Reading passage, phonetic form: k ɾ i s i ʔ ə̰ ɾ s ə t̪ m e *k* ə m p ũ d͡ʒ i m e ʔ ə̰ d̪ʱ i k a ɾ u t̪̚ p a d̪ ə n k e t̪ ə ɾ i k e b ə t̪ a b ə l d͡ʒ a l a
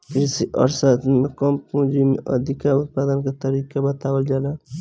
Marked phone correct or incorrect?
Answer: correct